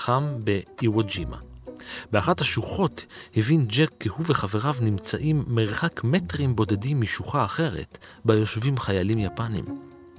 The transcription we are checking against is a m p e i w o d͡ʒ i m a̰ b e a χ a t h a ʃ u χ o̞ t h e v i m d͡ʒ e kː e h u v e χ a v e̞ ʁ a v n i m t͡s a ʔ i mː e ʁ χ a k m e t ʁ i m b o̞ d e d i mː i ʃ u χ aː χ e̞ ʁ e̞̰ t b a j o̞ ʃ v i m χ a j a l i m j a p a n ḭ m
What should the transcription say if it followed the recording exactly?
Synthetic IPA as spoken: a m b e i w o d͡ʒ i m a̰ b e a χ a t h a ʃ u χ o̞ t h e v i n d͡ʒ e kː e h u v e χ a v e̞ ʁ a v n i m t͡s a ʔ i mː e ʁ χ a k m e t ʁ i m b o̞ d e d i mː i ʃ u χ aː χ e̞ ʁ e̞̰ t b a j o̞ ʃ v i m χ a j a l i m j a p a n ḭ m